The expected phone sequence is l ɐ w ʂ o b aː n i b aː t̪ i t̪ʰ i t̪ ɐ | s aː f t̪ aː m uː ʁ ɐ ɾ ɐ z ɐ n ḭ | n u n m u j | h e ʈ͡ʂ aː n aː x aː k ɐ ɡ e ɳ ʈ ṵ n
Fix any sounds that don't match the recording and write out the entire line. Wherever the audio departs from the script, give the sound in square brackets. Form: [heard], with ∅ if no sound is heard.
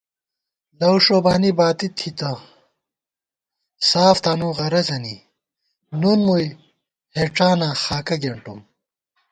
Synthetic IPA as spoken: l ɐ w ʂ o b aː n i b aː t̪ i t̪ʰ i t̪ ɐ | s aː f t̪ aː [n] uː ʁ ɐ ɾ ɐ z ɐ n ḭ | n u n m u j | h e ʈ͡ʂ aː n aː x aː k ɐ ɡ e ɳ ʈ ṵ [m]